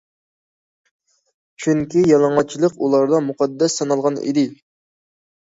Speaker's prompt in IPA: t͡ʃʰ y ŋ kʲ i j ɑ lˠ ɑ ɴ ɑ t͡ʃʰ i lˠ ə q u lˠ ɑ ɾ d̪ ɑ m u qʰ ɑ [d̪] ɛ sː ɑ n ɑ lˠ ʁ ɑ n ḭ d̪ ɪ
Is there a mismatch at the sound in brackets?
yes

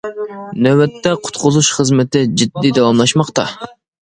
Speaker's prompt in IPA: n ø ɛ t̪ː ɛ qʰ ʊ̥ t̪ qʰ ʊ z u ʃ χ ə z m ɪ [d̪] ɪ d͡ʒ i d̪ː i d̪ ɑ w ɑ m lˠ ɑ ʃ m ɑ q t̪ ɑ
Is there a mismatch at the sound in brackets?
yes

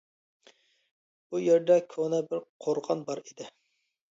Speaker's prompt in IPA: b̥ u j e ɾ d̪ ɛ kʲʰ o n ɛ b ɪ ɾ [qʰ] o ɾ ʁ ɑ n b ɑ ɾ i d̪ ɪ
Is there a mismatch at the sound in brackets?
no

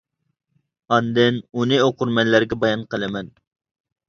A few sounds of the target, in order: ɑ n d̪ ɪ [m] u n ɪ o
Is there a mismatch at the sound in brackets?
yes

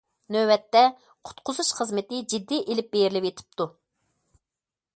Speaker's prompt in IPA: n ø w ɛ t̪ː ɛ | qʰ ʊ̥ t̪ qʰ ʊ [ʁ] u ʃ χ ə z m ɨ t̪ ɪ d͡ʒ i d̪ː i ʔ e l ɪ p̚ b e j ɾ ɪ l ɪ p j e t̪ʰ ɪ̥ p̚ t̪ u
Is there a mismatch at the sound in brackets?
yes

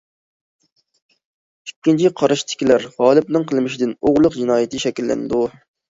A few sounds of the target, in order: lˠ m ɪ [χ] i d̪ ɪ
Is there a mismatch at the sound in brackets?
yes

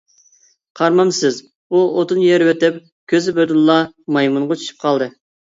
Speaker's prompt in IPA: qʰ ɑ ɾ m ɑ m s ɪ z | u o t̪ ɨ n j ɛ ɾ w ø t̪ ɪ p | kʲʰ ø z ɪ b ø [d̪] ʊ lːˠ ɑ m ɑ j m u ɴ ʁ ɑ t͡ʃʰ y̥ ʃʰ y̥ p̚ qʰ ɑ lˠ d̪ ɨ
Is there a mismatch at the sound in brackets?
no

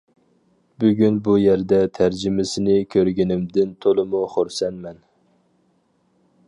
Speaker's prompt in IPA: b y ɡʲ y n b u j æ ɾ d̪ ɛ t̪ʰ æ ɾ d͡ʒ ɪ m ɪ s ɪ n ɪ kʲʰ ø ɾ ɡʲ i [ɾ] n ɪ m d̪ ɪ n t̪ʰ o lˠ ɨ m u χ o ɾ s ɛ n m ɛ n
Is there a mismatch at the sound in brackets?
yes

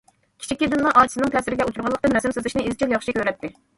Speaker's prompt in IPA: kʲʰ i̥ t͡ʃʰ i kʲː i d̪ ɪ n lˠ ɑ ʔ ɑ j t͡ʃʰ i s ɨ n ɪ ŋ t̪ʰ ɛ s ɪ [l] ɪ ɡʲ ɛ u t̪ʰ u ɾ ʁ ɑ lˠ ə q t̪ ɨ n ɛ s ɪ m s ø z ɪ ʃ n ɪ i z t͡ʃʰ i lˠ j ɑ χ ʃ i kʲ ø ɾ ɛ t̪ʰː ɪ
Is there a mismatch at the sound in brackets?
yes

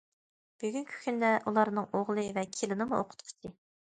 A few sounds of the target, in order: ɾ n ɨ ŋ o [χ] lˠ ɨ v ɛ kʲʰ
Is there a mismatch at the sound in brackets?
yes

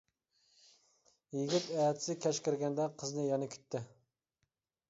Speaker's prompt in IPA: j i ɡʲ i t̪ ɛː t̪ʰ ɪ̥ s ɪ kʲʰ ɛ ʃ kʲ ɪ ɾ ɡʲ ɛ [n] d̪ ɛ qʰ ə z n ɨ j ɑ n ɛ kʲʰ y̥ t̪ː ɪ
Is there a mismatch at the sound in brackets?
no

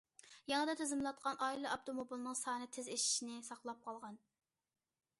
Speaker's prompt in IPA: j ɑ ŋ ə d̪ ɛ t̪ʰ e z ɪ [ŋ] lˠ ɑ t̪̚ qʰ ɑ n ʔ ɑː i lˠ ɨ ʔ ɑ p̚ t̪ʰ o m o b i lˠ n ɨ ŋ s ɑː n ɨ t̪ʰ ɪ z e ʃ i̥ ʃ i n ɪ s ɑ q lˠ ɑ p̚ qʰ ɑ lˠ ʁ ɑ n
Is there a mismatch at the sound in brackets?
yes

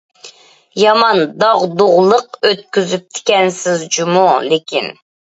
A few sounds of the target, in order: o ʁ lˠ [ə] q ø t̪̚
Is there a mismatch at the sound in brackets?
no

